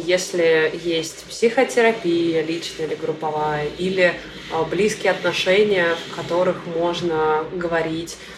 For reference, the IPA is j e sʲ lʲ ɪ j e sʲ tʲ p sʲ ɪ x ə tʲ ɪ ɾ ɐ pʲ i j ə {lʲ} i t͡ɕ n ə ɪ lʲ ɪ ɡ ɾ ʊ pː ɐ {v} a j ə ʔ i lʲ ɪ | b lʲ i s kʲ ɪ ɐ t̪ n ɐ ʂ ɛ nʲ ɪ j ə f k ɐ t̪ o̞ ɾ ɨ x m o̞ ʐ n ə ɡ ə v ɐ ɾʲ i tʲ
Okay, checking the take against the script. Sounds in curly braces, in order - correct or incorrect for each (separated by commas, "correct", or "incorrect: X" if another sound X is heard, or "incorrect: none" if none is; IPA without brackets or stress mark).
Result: correct, correct